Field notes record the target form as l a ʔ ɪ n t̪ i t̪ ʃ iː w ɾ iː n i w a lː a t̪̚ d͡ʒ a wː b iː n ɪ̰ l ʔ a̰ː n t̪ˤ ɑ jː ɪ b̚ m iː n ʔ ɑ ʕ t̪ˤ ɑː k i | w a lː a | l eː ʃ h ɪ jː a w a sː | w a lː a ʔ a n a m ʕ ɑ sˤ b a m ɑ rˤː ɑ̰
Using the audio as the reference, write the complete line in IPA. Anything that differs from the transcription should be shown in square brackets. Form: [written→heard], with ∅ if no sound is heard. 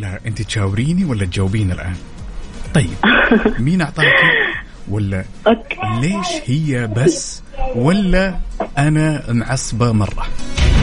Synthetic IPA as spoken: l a ʔ ɪ n t̪ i t̪ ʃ [iː→aː] w ɾ iː n i w a lː a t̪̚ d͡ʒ a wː b iː n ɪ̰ l ʔ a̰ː n t̪ˤ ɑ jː ɪ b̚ m iː n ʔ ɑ ʕ t̪ˤ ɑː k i | w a lː a | l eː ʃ h ɪ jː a [w→b] a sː | w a lː a ʔ a n a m ʕ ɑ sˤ b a m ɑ rˤː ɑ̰